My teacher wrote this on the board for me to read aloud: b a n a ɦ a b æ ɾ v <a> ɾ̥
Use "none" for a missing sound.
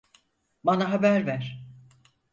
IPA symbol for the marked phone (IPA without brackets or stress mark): æ